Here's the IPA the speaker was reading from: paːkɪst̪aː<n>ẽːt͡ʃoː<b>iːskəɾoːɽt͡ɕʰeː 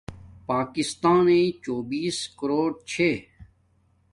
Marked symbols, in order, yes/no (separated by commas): yes, yes